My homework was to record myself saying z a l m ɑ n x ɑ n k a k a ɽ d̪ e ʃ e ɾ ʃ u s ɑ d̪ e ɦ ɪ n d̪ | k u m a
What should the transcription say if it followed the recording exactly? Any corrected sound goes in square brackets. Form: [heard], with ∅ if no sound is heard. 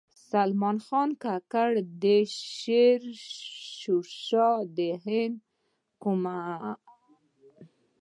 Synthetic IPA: [s] a l m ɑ n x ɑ n k a k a ɽ d̪ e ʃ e ɾ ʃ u [ʃ] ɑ d̪ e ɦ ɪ n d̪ | k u m a